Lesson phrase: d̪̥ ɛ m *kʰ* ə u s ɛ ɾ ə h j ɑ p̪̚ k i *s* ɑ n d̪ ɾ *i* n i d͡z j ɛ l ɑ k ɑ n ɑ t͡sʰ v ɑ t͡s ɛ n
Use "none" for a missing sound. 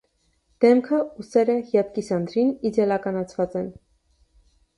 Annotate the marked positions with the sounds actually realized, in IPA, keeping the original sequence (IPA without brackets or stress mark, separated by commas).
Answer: kʰ, s, i